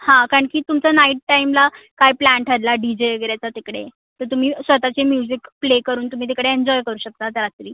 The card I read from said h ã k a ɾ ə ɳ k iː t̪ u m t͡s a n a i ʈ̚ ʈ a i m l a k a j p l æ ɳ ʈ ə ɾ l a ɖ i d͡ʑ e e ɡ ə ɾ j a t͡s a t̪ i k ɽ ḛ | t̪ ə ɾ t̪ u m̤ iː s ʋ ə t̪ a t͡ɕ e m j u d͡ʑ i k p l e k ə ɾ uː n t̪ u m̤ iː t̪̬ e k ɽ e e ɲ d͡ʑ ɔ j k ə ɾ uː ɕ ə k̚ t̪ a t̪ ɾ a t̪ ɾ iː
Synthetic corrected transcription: h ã k a ɾ ə ɳ k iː t̪ u m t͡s a n a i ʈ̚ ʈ a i m l a k a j p l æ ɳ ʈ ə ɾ l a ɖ i d͡ʑ e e ɡ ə ɾ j a t͡s a t̪ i k ɽ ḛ | t̪ ə ɾ t̪ u m̤ iː s ʋ ə t̪ a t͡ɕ e m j u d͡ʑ i k p l e k ə ɾ uː n t̪ u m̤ iː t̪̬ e k ɽ e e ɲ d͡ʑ ɔ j k ə ɾ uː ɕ ə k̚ t̪ a t̪ ɾ a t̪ ɾ iː

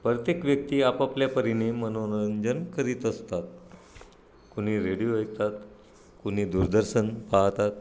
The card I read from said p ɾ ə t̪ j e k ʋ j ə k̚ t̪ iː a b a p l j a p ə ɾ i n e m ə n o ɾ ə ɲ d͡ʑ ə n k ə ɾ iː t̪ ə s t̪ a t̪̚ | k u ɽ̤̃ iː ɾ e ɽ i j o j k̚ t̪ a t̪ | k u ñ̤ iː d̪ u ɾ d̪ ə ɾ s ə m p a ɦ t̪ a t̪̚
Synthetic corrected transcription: p ɾ ə t̪ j e k ʋ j ə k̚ t̪ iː a p a p l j a p ə ɾ i n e m ə n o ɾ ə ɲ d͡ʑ ə n k ə ɾ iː t̪ ə s t̪ a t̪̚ | k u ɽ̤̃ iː ɾ e ɽ i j o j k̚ t̪ a t̪ | k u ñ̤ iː d̪ u ɾ d̪ ə ɾ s ə n p a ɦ t̪ a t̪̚

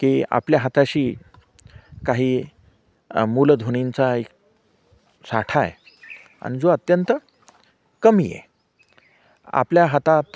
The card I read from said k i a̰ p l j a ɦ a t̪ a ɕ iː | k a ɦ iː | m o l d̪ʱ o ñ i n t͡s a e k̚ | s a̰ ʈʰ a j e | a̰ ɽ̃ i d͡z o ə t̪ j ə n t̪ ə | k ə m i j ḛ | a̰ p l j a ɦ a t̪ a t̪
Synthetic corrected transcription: k i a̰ p l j a ɦ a t̪ a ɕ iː | k a ɦ iː | m u l d̪ʱ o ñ i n t͡s a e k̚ | s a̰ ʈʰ a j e | a̰ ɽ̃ i d͡z o ə t̪ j ə n t̪ ə | k ə m i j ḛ | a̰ p l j a ɦ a t̪ a t̪

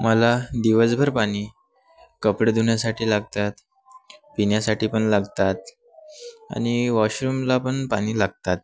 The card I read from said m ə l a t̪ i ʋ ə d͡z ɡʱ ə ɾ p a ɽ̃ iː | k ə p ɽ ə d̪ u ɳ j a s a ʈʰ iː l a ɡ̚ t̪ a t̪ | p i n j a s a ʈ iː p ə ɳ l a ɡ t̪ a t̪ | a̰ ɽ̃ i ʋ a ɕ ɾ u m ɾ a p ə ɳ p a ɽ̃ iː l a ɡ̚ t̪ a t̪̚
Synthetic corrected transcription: m ə l a d̪ i ʋ ə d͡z bʱ ə ɾ p a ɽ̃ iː | k ə p ɽ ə d̪ u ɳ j a s a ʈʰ iː l a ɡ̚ t̪ a t̪ | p i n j a s a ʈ iː p ə ɳ l a ɡ t̪ a t̪ | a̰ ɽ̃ i ʋ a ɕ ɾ u m l a p ə ɳ p a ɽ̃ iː l a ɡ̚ t̪ a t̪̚

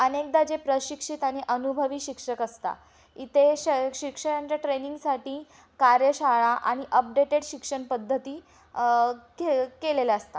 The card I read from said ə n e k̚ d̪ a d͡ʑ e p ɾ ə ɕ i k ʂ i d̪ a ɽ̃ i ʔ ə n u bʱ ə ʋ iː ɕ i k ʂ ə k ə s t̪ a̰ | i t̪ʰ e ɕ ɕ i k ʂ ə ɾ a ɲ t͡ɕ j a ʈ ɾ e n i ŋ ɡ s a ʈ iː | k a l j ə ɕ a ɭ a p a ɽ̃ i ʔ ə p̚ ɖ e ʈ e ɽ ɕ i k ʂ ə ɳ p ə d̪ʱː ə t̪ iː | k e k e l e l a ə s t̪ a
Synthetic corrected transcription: ə n e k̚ d̪ a d͡ʑ e p ɾ ə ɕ i k ʂ i t̪ a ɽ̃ i ʔ ə n u bʱ ə ʋ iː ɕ i k ʂ ə k ə s t̪ a̰ | i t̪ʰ e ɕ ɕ i k ʂ ə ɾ a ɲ t͡ɕ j a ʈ ɾ e n i ŋ ɡ s a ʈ iː | k a ɾ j ə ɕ a ɭ a ʔ a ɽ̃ i ʔ ə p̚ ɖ e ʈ e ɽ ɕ i k ʂ ə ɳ p ə d̪ʱː ə t̪ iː | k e k e l e l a ə s t̪ a

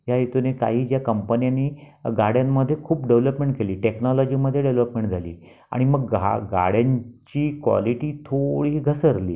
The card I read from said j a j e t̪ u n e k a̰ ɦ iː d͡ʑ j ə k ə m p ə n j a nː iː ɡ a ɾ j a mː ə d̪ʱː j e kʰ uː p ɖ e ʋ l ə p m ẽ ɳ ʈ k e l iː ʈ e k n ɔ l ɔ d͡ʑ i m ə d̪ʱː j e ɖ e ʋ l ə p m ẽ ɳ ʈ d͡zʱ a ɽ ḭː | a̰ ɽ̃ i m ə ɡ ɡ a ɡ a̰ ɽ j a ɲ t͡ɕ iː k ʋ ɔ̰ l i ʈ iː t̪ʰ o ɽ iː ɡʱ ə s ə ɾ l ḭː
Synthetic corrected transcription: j a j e t̪ u n e k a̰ ɦ iː d͡ʑ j a k ə m p ə n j a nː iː ɡ a ɽ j a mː ə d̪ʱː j e kʰ uː p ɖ e ʋ l ə p m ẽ ɳ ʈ k e l iː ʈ e k n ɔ l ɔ d͡ʑ i m ə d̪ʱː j e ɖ e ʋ l ə p m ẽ ɳ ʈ d͡zʱ a l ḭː | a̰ ɽ̃ i m ə ɡ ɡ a ɡ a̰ ɽ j a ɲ t͡ɕ iː k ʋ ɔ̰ l i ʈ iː t̪ʰ o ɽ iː ɡʱ ə s ə ɾ l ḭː

